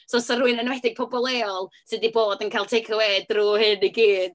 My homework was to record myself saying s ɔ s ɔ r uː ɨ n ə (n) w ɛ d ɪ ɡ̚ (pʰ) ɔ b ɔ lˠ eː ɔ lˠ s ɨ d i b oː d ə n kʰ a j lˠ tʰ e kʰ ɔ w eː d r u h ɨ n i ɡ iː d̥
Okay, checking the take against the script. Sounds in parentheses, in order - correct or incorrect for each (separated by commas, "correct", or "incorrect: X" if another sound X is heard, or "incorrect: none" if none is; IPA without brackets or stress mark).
correct, correct